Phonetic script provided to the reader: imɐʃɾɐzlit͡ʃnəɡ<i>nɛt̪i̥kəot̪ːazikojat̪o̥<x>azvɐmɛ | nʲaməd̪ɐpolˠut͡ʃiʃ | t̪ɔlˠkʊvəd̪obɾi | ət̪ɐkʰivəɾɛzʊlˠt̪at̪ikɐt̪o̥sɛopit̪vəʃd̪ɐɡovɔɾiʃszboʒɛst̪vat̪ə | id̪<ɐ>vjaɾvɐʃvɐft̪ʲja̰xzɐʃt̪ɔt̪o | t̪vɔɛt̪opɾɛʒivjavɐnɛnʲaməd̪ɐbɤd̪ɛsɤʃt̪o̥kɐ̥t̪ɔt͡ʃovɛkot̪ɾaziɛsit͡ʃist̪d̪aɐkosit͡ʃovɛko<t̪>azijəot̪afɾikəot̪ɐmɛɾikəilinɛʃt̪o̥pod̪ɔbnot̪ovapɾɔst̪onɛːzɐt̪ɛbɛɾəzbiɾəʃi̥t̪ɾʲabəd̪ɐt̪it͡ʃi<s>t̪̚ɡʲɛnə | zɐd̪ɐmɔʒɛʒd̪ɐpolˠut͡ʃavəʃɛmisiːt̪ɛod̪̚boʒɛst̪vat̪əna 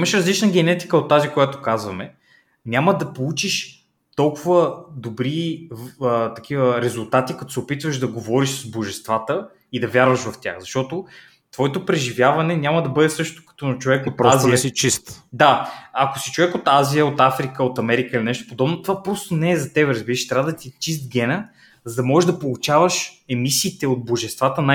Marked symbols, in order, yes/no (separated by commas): no, no, yes, yes, yes